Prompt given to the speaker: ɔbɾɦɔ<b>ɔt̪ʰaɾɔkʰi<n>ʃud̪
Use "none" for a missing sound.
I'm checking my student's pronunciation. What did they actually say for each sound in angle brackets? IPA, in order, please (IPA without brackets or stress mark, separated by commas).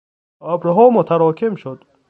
m, m